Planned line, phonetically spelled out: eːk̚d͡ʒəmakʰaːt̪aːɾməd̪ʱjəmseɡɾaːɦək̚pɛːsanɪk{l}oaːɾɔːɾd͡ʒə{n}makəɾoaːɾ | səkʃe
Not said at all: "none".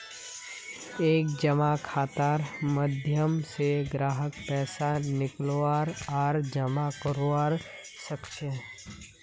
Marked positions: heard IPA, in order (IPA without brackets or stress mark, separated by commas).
l, none